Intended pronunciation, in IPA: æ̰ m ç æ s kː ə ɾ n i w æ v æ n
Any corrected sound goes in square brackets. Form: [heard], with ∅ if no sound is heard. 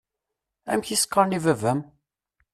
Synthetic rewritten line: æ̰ m ç [i] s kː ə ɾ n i [v] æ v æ [m]